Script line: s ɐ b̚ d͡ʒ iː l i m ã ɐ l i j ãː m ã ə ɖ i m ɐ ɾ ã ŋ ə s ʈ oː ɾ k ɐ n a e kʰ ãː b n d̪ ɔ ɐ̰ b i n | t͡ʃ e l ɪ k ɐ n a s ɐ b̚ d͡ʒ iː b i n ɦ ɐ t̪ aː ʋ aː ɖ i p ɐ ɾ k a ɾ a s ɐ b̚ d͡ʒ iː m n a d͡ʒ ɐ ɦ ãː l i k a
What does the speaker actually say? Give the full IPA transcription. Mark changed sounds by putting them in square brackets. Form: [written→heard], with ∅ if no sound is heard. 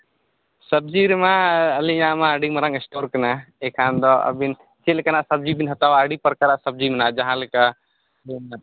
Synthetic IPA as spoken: s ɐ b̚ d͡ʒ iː [l→ɾ] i m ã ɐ l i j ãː m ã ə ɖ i m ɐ ɾ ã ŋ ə s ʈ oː ɾ k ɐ n a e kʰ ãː [b→∅] n d̪ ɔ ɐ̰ b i n | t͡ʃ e l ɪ k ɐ n a s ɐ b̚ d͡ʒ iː b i n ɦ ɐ t̪ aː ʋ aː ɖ i p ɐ ɾ k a ɾ a s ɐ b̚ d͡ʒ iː m n a d͡ʒ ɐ ɦ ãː l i k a